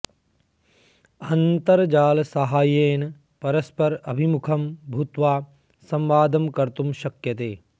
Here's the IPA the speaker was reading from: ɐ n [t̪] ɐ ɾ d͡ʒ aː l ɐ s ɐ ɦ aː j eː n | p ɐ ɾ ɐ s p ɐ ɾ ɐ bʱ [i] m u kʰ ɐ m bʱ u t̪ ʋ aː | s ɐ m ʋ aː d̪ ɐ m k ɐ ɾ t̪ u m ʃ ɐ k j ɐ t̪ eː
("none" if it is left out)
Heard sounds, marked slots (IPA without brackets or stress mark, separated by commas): t̪, i